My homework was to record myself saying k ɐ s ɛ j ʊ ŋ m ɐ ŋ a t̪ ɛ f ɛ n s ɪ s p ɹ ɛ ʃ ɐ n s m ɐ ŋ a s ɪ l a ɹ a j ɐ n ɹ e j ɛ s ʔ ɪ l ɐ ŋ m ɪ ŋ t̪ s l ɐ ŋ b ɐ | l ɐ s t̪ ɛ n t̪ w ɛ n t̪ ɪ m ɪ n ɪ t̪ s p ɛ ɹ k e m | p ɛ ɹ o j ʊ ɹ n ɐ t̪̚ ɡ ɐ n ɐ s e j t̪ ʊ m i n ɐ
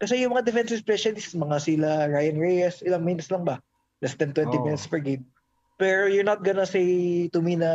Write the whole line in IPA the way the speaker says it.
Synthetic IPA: k ɐ s ɛ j ʊ ŋ m ɐ ŋ a d̪ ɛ f ɛ n s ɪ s p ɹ ɛ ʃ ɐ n s m ɐ ŋ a s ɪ l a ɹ a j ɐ n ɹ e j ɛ s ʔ ɪ l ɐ ŋ m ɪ n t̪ s l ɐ ŋ b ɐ | l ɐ s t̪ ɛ n t̪ w ɛ n t̪ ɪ m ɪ n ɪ t̪ s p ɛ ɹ ɡ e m | p ɛ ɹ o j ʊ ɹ n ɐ t̪̚ ɡ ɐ n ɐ s e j t̪ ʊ m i n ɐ